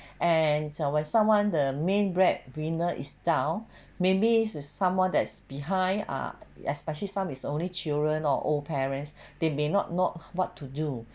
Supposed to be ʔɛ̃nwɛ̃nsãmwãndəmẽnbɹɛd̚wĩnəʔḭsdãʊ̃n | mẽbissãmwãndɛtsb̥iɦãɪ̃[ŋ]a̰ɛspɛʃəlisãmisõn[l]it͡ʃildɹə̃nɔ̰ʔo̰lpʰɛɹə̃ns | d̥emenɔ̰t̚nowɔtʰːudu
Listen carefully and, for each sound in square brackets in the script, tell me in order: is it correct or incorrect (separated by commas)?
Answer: incorrect, correct